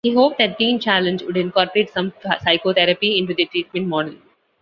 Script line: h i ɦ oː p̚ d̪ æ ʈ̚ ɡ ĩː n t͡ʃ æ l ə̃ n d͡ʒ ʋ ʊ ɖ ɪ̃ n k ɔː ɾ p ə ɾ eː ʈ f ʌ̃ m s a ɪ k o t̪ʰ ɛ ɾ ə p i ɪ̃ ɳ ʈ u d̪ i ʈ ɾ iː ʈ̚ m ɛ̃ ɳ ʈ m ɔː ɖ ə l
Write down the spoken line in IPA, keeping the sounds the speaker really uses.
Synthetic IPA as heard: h i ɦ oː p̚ d̪ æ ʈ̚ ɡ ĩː n t͡ʃ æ l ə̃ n d͡ʒ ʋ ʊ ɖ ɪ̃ n k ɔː ɾ p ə ɾ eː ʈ s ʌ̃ m s a ɪ k o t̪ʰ ɛ ɾ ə p i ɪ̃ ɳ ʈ u d̪ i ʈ ɾ iː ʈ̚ m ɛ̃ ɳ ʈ m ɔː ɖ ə l